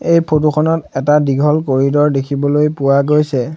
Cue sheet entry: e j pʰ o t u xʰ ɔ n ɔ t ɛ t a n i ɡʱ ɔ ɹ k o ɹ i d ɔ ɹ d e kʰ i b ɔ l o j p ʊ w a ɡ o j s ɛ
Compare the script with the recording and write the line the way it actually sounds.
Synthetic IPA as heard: e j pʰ o t u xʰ ɔ n ɔ t ɛ t a d i ɡʱ ɔ l k o ɹ i d ɔ ɹ d e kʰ i b ɔ l o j p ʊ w a ɡ o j s ɛ